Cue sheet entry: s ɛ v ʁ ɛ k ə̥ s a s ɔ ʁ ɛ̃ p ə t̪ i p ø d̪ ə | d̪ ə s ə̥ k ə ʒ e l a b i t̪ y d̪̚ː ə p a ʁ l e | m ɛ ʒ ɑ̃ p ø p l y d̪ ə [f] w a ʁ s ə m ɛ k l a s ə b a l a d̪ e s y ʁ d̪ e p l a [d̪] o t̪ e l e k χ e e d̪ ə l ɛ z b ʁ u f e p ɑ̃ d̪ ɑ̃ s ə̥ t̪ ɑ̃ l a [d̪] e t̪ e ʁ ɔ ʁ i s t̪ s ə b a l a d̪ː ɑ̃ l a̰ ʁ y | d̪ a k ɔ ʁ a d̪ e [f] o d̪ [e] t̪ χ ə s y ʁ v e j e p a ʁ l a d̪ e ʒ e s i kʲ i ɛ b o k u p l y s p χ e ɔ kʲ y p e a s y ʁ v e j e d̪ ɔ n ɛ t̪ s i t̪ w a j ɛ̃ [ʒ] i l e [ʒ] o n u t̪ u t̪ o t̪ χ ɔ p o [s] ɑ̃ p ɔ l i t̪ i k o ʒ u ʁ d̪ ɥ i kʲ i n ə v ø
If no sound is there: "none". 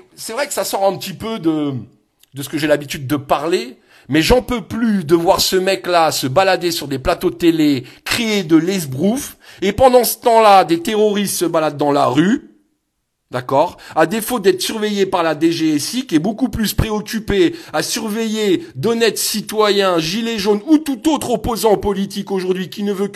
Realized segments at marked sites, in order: v, t̪, d̪, f, ɛ, ʒ, ʒ, z

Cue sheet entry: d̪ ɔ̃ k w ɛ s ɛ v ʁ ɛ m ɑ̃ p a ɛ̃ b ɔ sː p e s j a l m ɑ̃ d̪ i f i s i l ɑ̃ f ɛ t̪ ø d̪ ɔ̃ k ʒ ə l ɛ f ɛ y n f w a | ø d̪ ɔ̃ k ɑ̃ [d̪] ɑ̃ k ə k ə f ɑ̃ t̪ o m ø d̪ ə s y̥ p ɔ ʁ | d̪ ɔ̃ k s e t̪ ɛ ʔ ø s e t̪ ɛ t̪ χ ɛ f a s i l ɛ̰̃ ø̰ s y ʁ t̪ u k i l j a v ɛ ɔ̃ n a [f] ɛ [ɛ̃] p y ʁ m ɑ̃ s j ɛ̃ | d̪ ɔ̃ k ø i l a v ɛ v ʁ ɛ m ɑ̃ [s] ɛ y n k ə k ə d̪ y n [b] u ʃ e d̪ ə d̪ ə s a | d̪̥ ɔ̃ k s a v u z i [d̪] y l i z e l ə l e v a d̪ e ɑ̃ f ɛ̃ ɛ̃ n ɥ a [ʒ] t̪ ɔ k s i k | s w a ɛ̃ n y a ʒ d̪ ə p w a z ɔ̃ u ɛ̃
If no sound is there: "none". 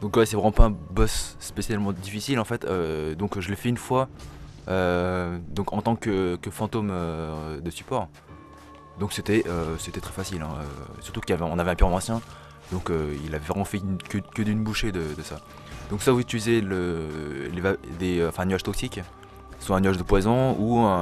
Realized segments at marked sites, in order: t̪, v, ɛ̃, f, b, t̪, ʒ

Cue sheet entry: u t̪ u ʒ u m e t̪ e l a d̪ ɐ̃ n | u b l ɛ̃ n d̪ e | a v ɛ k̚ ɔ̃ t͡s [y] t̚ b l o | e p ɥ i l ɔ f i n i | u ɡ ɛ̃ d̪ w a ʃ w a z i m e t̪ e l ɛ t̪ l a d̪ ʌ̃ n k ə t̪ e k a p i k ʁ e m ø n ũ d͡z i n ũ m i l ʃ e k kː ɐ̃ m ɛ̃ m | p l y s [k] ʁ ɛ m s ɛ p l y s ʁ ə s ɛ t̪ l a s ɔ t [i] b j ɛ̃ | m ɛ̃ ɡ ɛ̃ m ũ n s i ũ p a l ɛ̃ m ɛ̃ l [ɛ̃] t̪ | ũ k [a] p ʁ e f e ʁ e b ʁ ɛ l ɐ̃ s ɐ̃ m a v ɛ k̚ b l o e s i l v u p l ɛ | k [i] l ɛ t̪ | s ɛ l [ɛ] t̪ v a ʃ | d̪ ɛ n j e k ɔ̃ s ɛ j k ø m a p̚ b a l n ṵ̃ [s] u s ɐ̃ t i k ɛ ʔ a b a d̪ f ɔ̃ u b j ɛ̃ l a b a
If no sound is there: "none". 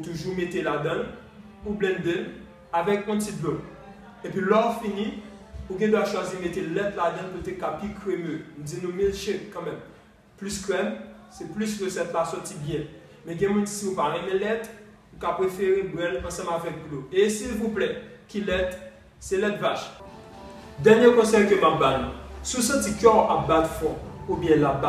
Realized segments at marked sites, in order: i, k, i, ɛ, a, i, ɛ, s

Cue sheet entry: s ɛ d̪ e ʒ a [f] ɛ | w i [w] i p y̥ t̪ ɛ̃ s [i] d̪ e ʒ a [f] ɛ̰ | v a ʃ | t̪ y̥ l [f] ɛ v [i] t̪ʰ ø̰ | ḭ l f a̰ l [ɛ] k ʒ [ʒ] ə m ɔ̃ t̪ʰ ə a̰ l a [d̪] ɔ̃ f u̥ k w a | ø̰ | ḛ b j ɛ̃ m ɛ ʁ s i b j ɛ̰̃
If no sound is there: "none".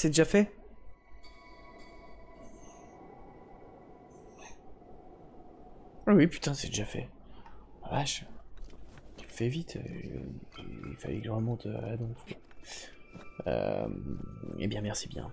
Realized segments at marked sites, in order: f, w, ɛ, f, f, i, ɛ, ʁ, d̪

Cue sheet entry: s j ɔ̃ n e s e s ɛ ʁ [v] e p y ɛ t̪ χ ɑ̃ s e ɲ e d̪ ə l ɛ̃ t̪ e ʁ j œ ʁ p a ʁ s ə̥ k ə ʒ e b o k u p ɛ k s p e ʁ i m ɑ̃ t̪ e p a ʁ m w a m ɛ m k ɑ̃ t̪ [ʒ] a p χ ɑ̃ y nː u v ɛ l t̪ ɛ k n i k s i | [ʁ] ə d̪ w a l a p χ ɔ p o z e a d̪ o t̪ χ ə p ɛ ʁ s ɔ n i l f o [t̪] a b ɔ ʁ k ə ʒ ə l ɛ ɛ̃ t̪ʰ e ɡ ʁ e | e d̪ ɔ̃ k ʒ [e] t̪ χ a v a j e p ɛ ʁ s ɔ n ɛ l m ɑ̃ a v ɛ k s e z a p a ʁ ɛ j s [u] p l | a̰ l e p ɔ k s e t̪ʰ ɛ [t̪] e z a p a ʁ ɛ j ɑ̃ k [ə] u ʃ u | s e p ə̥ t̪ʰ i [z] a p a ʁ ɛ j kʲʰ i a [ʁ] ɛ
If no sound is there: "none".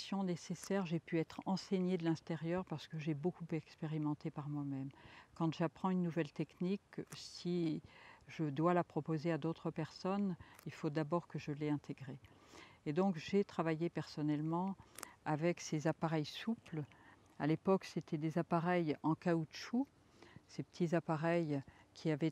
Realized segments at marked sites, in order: ʒ, ʒ, ʒ, d̪, e, u, d̪, a, z, v

